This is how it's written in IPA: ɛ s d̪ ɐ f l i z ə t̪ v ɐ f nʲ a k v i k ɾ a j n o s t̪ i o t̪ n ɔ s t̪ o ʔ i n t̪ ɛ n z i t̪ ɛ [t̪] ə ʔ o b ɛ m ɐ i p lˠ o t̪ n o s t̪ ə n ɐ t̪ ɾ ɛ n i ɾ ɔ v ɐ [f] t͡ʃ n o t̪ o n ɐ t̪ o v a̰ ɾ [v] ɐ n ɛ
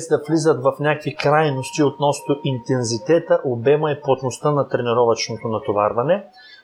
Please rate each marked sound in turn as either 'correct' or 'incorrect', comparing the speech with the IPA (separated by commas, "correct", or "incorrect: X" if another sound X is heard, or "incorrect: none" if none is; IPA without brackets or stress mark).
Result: correct, incorrect: none, correct